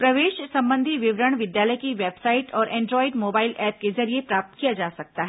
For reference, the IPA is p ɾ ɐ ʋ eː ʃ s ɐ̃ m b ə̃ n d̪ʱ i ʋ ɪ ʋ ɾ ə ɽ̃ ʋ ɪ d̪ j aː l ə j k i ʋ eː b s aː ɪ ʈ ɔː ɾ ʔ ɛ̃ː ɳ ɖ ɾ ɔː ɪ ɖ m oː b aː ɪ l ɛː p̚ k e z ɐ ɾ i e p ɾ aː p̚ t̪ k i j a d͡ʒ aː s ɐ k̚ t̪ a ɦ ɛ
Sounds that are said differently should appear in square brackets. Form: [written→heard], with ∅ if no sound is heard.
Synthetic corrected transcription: p ɾ ɐ ʋ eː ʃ s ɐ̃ m b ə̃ n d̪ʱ i ʋ ɪ ʋ ɾ ə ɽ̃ ʋ ɪ d̪ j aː l ə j k i ʋ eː b s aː ɪ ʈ ɔː ɾ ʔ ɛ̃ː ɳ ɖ ɾ ɔː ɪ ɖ m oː b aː ɪ l ɛː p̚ k e z ɐ ɾ i e p ɾ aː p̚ t̪ k i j a d͡ʒ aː s ɐ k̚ t̪ a ɦ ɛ